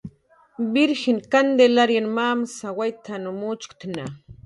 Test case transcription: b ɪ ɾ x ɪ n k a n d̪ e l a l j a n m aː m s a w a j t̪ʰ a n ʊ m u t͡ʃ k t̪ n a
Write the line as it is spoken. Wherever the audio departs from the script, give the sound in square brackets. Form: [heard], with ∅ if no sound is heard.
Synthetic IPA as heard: b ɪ ɾ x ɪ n k a n d̪ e l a [ɾ] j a n m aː m s a w a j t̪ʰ a n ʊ m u t͡ʃ k t̪ n a